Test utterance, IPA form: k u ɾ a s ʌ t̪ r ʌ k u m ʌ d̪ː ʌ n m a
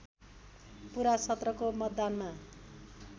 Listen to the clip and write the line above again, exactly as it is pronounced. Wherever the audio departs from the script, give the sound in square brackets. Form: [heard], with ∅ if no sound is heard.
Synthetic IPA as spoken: [p] u ɾ a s ʌ t̪ r ʌ k [o] m ʌ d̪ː [a] n m a